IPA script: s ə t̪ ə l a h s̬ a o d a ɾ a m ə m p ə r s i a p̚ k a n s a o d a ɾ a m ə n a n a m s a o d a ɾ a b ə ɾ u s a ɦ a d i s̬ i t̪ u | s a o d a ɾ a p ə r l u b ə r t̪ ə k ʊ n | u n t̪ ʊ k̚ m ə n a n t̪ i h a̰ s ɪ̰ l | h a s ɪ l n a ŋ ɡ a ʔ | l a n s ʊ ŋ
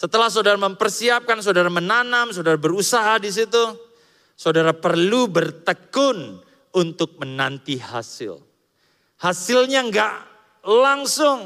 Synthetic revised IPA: s ə t̪ ə l a h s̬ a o d a ɾ a m ə m p ə r s i a p̚ k a n s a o d a ɾ a m ə n a n a m s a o d a ɾ a b ə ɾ u s a ɦ a d i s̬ i t̪ u | s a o d a ɾ a p ə r l u b ə r t̪ ə k ʊ n | u n t̪ ʊ k̚ m ə n a n t̪ i h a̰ s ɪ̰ l | h a s ɪ l ɲ a ŋ ɡ a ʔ | l a ŋ s ʊ ŋ